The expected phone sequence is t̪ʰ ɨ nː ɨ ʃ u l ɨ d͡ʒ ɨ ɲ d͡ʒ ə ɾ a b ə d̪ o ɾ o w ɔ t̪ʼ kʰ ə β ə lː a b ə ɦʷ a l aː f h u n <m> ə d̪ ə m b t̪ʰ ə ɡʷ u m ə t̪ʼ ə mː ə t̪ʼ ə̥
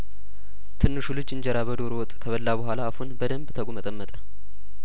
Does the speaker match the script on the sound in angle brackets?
no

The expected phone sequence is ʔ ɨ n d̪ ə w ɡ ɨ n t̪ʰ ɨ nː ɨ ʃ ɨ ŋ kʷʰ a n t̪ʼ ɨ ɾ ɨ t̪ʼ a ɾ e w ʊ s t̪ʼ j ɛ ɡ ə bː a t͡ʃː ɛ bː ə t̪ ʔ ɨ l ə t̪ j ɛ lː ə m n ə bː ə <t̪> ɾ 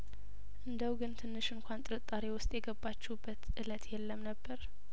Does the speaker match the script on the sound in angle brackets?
no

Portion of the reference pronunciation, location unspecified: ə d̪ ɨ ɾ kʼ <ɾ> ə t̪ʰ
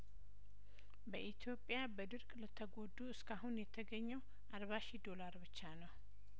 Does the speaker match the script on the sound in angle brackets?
no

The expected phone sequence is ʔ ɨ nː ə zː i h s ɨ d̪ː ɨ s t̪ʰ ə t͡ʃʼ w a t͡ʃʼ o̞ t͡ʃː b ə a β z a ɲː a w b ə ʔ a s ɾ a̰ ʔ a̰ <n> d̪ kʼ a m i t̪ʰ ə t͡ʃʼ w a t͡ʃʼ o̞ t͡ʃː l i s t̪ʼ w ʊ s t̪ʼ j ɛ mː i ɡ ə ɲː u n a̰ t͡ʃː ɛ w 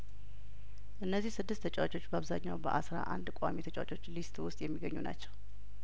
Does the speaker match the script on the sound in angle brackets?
yes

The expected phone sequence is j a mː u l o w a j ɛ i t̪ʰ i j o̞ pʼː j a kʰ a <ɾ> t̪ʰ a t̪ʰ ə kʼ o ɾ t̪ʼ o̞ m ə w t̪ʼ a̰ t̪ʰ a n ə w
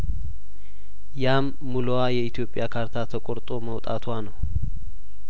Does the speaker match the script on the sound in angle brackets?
yes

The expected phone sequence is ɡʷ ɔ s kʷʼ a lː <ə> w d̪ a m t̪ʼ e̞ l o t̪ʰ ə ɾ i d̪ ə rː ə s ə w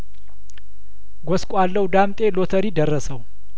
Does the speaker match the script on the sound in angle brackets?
yes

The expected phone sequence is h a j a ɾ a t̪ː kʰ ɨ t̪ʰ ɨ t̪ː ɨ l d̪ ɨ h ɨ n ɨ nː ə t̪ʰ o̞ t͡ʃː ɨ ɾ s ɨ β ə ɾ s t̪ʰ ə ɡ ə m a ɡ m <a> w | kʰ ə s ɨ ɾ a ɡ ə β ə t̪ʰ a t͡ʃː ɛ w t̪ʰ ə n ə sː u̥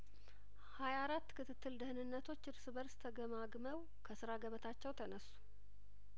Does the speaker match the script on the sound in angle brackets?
no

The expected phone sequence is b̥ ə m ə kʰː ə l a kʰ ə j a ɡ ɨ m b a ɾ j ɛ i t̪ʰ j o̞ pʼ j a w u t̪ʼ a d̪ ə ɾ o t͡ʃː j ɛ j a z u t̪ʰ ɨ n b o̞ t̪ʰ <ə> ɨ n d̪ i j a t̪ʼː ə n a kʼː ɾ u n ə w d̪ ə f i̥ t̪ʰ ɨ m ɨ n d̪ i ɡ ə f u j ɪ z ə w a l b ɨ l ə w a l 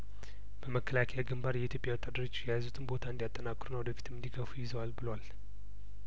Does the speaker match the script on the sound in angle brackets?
no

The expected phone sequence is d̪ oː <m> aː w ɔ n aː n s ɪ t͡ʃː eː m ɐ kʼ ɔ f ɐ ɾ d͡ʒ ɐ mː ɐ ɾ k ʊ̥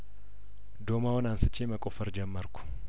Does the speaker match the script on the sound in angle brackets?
yes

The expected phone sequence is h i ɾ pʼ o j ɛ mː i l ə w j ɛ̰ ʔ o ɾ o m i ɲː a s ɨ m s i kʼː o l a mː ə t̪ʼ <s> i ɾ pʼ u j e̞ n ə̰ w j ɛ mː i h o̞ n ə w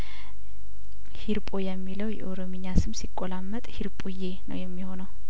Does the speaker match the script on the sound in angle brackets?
no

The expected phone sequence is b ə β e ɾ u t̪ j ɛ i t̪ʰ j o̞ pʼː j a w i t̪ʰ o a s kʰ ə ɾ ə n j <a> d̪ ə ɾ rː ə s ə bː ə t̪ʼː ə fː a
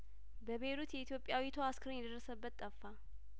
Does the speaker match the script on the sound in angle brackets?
no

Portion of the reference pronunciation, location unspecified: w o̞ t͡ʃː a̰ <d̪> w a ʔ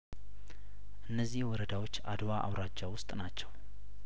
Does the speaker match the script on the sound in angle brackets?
yes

